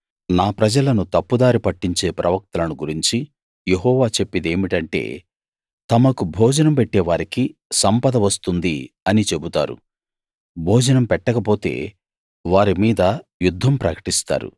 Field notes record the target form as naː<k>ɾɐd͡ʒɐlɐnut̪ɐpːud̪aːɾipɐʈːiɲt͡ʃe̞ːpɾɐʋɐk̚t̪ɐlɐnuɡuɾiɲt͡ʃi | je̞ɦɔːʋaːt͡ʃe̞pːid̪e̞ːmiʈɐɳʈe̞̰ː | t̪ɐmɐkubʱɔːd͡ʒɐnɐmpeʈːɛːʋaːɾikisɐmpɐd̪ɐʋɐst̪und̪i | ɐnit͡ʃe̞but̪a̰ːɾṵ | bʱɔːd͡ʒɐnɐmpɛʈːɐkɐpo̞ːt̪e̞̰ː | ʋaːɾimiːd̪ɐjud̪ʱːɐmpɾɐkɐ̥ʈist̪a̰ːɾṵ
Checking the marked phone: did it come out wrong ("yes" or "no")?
yes